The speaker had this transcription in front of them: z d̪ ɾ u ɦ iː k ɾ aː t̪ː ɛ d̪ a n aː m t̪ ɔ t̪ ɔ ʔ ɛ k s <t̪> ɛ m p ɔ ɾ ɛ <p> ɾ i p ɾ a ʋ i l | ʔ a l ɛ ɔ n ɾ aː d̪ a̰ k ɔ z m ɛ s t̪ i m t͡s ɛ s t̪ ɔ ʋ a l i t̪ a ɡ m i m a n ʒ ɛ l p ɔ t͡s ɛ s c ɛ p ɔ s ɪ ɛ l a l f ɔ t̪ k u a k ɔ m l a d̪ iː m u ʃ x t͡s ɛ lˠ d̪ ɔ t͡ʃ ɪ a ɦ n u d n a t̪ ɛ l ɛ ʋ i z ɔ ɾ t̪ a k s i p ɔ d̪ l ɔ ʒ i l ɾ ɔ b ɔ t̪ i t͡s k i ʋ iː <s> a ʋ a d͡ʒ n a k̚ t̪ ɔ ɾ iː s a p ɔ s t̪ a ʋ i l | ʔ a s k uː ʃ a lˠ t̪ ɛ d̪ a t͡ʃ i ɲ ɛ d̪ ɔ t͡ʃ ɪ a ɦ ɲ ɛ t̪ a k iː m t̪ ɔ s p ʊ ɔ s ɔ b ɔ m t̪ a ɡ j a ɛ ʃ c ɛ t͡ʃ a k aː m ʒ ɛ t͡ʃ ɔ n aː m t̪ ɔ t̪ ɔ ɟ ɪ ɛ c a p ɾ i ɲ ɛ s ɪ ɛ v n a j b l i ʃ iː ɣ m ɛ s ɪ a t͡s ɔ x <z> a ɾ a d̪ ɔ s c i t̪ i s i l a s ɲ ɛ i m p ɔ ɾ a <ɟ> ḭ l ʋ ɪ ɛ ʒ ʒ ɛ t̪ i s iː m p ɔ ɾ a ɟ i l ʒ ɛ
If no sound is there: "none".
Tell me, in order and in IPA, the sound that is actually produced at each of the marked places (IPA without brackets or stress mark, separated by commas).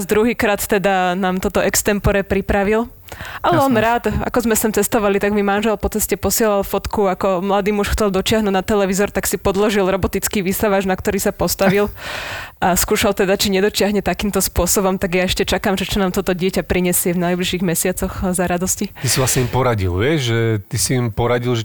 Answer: t̪, p, s, z, ɟ